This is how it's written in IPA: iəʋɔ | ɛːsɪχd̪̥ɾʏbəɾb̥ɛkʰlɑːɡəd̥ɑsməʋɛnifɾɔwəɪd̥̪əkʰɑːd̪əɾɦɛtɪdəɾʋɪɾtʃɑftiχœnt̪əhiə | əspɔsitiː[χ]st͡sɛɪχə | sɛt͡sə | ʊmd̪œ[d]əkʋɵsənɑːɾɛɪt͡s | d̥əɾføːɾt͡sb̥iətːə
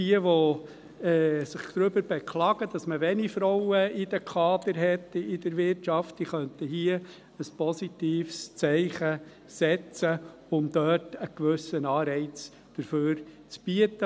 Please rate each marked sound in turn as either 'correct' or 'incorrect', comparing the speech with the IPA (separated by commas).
incorrect, incorrect